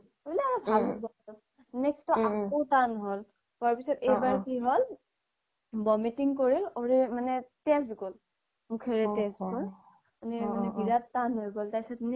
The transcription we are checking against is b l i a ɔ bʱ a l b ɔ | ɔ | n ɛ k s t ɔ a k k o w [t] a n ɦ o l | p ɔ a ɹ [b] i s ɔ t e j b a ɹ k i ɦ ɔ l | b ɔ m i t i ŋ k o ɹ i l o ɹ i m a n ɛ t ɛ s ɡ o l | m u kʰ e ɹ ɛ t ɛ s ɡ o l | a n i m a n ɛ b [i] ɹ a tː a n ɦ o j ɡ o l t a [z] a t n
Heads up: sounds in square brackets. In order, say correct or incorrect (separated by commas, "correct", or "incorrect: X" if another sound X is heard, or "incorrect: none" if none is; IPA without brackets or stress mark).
correct, incorrect: p, correct, incorrect: s